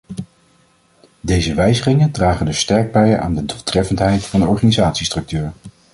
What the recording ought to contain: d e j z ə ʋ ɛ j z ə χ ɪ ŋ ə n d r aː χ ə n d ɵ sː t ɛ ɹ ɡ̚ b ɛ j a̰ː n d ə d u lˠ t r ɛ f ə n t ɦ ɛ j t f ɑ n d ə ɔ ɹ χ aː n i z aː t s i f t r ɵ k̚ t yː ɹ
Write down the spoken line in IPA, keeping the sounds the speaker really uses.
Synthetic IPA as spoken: d e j z ə ʋ ɛ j z ə χ ɪ ŋ ə n d r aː χ ə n d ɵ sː t ɛ ɹ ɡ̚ b ɛ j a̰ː n d ə d u lˠ t r ɛ f ə n t ɦ ɛ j t f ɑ n d ə ɔ ɹ χ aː n i z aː t s i s t r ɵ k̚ t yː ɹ